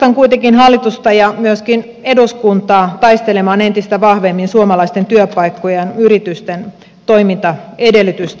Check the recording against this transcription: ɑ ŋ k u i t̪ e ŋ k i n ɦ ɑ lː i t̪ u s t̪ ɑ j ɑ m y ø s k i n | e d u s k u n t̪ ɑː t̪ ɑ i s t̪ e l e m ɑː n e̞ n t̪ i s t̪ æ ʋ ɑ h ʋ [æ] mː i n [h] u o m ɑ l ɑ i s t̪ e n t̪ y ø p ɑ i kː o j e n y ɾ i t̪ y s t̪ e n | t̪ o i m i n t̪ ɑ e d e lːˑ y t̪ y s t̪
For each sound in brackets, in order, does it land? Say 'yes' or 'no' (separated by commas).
no, no